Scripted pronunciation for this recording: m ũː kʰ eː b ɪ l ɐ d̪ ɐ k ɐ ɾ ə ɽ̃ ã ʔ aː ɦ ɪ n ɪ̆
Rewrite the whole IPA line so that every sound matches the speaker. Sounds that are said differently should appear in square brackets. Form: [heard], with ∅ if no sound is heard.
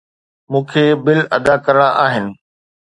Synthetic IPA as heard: m ũː kʰ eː b ɪ l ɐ d̪ [a] k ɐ ɾ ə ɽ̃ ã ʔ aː ɦ ɪ n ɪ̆